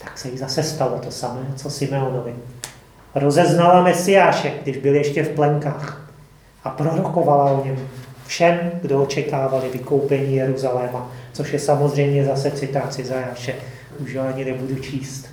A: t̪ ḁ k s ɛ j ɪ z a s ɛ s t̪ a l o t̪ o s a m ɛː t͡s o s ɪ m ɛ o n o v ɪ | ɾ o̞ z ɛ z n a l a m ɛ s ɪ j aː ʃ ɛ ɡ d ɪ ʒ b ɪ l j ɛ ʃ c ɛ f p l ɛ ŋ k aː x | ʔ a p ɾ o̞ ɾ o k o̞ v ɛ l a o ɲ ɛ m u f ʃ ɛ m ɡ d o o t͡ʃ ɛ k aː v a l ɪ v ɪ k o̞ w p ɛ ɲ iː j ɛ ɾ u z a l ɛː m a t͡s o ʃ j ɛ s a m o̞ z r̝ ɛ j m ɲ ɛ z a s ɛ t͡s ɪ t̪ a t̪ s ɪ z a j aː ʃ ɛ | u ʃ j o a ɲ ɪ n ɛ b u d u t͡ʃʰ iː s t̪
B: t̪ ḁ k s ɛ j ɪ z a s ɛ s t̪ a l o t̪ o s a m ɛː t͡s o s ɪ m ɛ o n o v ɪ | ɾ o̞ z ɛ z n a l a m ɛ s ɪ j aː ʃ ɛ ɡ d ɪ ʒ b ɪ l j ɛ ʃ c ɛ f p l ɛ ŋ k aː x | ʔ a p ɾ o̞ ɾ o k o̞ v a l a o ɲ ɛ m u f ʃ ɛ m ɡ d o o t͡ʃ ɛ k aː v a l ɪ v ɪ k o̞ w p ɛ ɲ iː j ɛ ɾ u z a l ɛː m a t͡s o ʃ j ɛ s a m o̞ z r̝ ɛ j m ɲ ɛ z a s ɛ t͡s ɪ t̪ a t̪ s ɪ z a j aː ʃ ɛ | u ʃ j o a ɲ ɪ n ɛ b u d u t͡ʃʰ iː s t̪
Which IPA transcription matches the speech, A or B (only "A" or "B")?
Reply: B